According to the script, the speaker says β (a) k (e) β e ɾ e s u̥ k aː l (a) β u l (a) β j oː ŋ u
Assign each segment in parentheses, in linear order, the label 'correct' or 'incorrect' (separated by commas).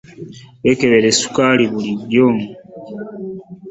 incorrect, correct, incorrect, incorrect